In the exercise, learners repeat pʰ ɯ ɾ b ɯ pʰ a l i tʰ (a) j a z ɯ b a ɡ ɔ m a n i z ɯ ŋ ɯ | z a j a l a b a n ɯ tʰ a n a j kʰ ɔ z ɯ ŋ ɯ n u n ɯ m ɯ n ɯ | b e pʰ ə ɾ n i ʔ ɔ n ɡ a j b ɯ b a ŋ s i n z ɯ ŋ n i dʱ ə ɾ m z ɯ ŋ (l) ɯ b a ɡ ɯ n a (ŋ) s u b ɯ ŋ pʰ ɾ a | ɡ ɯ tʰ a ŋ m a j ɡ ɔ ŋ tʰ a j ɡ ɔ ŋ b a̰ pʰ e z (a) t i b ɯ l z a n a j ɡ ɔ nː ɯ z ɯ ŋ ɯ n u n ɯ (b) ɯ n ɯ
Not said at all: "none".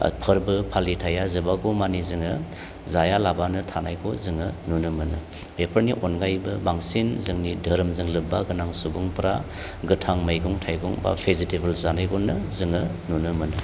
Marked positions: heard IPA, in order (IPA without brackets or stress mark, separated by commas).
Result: a, l, ŋ, i, m